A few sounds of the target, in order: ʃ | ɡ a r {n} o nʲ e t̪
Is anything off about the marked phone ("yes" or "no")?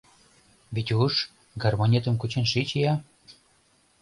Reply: yes